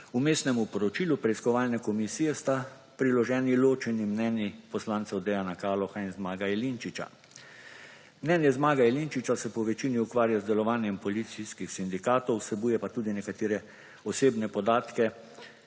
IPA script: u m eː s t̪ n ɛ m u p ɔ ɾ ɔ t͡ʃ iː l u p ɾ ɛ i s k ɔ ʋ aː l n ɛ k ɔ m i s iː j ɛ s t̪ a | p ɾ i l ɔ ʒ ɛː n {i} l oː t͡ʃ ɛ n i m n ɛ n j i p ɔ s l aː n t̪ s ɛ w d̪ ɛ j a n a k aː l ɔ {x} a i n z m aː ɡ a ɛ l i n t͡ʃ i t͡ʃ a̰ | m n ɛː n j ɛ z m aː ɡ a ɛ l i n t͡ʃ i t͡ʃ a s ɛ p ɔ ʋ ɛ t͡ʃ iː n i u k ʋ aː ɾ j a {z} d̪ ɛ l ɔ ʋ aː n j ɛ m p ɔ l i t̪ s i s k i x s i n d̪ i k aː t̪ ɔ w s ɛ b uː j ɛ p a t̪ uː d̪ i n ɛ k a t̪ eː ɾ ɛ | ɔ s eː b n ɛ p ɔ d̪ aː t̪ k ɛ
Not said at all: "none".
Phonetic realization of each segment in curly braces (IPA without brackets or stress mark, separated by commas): i, x, z